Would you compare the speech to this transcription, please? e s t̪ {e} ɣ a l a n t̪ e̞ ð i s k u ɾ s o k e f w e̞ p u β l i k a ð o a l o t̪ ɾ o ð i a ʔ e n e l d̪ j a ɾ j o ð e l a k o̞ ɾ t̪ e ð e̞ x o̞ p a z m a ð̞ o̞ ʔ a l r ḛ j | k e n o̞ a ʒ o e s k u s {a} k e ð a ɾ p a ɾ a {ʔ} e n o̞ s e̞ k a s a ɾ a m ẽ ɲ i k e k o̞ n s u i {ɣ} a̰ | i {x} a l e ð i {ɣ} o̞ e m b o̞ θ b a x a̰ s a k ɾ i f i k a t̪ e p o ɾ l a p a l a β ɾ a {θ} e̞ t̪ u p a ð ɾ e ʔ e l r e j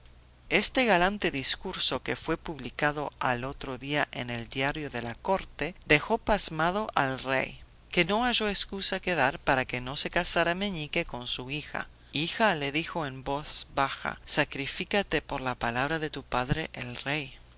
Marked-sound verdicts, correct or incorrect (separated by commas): correct, correct, incorrect, incorrect, correct, incorrect, incorrect